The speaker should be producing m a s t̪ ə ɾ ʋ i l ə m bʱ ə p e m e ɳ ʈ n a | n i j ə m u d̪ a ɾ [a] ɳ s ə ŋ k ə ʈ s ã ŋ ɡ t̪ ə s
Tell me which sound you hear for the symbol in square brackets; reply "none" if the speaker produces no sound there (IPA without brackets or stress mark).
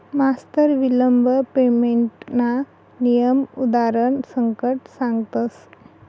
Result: ə